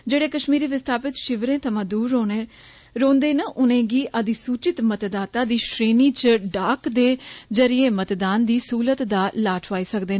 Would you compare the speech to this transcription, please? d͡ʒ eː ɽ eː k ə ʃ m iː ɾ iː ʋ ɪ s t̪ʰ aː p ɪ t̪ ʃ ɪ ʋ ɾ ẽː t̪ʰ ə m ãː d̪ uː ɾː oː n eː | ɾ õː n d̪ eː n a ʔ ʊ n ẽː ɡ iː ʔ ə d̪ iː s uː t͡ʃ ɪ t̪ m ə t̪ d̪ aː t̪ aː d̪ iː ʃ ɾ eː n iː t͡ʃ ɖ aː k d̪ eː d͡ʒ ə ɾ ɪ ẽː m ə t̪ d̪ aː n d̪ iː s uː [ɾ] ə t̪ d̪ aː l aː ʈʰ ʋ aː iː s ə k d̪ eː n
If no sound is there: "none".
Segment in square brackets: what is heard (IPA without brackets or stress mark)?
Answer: l